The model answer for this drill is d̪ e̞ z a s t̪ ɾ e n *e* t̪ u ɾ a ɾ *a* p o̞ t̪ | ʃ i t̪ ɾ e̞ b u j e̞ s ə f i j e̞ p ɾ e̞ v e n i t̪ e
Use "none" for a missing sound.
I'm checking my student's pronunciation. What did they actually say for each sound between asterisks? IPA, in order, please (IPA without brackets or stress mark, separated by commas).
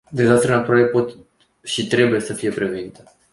a, e